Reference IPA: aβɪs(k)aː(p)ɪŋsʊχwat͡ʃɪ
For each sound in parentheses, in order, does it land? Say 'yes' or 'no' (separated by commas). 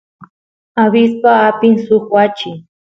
no, yes